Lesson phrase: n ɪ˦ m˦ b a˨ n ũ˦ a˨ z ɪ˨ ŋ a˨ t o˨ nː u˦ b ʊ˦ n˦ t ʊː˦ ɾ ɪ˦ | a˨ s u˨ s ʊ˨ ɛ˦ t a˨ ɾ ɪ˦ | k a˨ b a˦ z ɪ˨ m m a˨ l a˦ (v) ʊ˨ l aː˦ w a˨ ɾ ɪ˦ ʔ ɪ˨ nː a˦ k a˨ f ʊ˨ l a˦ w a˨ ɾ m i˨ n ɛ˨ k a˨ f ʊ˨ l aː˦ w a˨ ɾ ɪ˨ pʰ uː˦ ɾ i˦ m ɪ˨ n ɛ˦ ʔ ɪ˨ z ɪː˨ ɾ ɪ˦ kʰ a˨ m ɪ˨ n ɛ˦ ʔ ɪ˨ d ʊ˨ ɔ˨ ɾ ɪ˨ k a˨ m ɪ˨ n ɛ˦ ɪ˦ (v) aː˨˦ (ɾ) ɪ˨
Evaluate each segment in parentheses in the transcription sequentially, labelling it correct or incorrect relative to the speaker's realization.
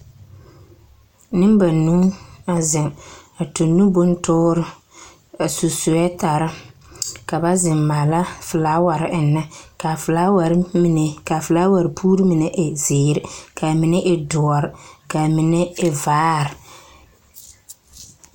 incorrect: f, correct, correct

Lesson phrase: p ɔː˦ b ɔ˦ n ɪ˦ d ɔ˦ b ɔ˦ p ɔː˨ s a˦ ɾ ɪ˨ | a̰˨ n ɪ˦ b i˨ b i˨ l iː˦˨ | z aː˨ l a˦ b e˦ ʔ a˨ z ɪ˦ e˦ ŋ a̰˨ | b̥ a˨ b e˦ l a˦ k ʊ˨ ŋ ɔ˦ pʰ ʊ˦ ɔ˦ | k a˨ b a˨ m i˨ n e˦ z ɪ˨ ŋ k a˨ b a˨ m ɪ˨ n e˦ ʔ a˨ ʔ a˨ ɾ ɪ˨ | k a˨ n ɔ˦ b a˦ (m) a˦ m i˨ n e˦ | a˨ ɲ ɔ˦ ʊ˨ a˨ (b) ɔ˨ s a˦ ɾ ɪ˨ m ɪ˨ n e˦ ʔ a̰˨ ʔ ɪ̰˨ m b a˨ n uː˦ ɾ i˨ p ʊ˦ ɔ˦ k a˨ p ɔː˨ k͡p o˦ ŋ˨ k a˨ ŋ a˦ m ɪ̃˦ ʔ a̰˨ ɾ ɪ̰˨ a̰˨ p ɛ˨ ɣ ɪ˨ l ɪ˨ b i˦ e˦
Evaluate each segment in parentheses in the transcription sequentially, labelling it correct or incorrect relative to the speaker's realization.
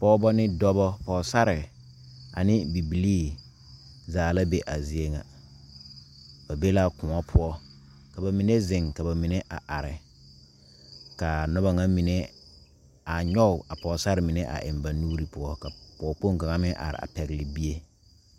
incorrect: ŋ, incorrect: p

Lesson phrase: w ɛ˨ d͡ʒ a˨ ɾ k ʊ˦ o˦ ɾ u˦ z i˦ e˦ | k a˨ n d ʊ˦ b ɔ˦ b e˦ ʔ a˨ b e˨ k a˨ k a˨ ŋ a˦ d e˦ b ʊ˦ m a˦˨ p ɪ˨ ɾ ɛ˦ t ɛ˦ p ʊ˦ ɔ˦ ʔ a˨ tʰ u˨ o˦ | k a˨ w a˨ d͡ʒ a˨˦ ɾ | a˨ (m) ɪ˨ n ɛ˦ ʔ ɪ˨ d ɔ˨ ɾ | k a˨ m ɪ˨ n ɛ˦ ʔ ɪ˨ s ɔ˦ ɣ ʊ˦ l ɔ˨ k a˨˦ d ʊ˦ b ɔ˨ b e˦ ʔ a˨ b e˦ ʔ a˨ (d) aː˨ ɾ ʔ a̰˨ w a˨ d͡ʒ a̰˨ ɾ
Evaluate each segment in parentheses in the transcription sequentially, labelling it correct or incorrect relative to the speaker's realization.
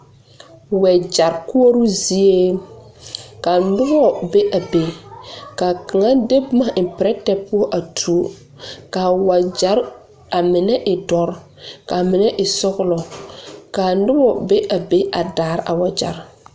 correct, correct

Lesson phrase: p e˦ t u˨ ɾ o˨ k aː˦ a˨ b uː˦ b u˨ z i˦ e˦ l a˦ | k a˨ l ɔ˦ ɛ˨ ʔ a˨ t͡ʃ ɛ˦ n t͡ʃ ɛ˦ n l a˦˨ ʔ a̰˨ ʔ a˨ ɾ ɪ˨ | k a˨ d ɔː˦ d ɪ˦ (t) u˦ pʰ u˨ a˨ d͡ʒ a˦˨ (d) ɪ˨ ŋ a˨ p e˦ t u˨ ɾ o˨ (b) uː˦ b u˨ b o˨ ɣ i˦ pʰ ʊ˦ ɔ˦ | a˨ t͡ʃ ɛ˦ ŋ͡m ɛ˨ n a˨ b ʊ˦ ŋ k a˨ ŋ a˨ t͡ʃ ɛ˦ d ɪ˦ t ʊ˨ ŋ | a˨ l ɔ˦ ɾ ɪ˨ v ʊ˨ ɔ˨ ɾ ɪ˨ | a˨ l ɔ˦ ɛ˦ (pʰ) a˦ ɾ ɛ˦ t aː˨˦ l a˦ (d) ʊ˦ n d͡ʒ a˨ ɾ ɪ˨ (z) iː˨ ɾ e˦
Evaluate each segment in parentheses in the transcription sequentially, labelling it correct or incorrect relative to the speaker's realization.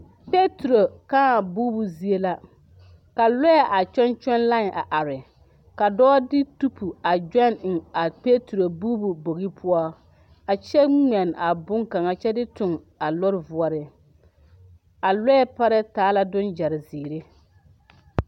correct, incorrect: n, correct, incorrect: p, correct, correct

